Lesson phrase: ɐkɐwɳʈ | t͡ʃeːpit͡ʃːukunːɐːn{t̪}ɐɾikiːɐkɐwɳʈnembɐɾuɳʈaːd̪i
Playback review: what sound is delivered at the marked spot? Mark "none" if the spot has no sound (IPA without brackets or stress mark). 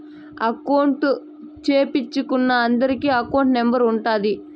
d̪